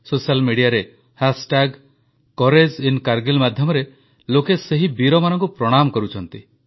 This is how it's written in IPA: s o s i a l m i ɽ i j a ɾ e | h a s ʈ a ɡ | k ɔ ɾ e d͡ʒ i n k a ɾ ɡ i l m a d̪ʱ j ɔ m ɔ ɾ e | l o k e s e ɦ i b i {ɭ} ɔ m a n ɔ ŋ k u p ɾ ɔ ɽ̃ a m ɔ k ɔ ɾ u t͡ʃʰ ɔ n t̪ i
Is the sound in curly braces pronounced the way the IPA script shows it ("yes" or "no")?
no